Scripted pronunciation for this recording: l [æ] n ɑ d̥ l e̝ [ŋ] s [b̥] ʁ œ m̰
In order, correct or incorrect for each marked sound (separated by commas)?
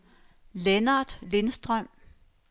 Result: incorrect, incorrect, incorrect